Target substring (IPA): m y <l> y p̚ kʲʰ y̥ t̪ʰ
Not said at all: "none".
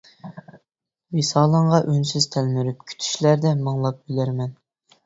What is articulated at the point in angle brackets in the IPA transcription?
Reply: ɾ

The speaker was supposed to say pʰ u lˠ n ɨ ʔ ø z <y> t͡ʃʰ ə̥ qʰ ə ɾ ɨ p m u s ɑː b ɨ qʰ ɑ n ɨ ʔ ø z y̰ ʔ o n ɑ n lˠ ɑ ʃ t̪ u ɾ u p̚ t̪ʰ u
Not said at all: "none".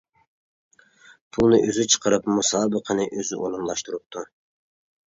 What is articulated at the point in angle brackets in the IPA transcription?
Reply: y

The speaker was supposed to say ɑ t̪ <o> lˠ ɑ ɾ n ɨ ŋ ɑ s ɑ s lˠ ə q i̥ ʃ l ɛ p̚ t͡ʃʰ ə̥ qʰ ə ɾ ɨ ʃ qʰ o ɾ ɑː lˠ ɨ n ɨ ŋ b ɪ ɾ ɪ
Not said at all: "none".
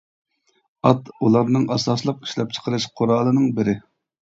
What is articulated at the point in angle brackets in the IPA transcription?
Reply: u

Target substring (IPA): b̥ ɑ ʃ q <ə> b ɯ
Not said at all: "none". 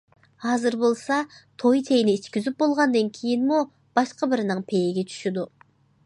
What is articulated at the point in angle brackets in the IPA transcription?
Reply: ɑ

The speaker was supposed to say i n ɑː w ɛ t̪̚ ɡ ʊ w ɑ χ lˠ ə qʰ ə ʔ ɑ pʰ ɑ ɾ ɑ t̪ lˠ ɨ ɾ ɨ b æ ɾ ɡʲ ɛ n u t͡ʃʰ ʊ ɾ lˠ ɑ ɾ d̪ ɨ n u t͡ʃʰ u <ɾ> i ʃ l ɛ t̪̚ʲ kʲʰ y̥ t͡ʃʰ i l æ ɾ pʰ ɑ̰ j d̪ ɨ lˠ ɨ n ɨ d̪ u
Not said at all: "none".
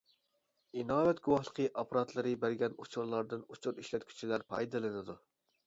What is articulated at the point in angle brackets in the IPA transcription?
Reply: ɾ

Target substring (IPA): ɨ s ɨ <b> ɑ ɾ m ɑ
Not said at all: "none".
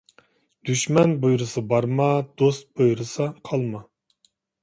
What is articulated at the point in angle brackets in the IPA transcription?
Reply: b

